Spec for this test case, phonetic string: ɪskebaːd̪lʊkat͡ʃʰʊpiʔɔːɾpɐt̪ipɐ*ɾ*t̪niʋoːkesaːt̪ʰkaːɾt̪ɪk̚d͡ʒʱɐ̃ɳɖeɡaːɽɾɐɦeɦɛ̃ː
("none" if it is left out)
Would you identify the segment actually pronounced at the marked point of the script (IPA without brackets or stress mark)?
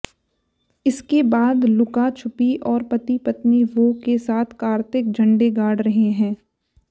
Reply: none